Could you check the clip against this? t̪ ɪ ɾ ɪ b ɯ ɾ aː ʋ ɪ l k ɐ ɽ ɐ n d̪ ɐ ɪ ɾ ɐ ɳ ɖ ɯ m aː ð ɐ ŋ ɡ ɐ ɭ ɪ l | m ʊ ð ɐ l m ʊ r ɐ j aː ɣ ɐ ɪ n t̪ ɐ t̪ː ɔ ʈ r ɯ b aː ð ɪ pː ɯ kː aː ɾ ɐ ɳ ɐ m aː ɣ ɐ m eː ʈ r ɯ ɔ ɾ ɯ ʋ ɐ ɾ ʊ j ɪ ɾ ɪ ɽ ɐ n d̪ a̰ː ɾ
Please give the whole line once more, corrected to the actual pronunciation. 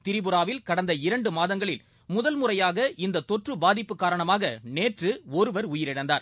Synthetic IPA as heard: t̪ ɪ ɾ ɪ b ɯ ɾ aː ʋ ɪ l k ɐ ɽ ɐ n d̪ ɐ ɪ ɾ ɐ ɳ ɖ ɯ m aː ð ɐ ŋ ɡ ɐ ɭ ɪ l | m ʊ ð ɐ l m ʊ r ɐ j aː ɣ ɐ ɪ n d̪ ɐ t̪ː ɔ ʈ r ɯ b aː ð ɪ pː ɯ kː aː ɾ ɐ ɳ ɐ m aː ɣ ɐ n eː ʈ r ɯ ɔ ɾ ɯ ʋ ɐ ɾ ʊ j ɪ ɾ ɪ ɽ ɐ n d̪ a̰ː ɾ